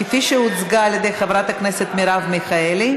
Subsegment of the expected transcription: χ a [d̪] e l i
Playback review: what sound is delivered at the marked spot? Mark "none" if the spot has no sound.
none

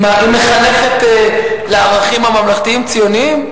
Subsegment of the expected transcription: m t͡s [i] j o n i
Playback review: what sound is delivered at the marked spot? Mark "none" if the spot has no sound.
i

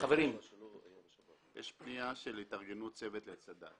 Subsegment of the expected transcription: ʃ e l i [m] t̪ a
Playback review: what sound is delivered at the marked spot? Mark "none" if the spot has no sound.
none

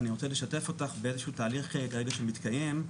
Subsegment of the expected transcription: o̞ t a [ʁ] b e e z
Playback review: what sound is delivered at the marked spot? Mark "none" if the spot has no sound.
χ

